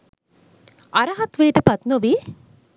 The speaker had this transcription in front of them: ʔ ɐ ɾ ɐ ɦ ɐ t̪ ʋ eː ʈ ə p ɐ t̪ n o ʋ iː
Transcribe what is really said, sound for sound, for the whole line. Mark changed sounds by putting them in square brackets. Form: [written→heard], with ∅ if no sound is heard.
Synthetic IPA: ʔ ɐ ɾ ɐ ɦ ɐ t̪ ʋ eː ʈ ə p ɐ t̪ n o ʋ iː